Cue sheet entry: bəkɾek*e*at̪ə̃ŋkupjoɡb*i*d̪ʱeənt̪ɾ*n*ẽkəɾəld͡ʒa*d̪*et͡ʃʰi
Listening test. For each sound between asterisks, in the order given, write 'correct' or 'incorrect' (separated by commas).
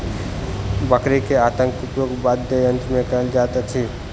correct, incorrect, incorrect, incorrect